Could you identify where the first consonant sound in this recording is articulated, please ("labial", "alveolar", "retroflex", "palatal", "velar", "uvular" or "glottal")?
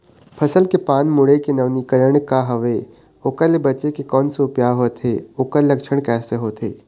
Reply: labial